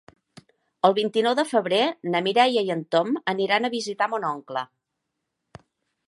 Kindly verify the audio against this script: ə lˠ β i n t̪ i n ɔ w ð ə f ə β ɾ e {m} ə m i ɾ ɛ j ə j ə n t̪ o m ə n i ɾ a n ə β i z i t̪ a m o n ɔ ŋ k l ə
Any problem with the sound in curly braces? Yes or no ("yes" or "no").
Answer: yes